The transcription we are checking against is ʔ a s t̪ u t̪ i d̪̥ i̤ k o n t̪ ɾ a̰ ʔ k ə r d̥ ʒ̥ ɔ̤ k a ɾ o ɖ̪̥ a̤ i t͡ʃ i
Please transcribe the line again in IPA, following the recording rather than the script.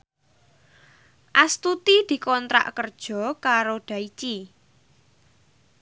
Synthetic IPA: ʔ a s t̪ u t̪ i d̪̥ i̤ k ɔ n t̪ ɾ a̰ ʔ k ə r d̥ ʒ̥ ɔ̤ k a ɾ o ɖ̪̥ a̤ i t͡ʃ i